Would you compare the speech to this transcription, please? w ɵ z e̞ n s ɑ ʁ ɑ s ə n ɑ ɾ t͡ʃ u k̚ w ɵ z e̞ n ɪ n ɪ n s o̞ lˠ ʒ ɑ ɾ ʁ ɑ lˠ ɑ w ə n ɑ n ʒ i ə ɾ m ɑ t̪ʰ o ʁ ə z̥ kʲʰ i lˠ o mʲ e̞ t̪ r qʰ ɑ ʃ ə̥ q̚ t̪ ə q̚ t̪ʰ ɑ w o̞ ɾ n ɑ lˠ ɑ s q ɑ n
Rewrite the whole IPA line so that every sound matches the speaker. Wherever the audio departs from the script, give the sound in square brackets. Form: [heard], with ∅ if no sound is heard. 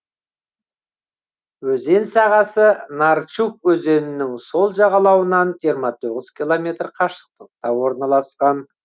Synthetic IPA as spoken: w ɵ z e̞ n s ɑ ʁ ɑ s ə n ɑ ɾ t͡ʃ u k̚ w ɵ z e̞ n ɪ n ɪ [ŋ] s o̞ lˠ ʒ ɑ [∅] ʁ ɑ lˠ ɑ w ə n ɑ n ʒ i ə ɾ m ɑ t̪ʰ o ʁ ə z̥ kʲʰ i lˠ o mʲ e̞ t̪ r qʰ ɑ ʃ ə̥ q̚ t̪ ə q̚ [t̪] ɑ w o̞ ɾ n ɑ lˠ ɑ s q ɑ n